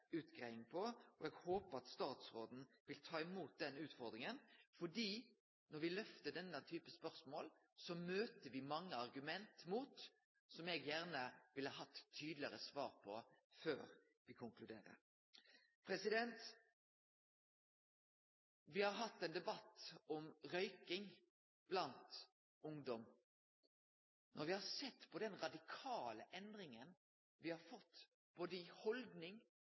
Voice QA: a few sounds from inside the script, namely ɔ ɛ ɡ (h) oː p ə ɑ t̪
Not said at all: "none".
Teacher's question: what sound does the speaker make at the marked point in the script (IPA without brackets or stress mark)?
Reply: h